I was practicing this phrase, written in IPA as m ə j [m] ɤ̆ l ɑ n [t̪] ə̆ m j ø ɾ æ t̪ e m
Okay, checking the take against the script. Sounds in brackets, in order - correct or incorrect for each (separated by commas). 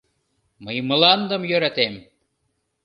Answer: correct, incorrect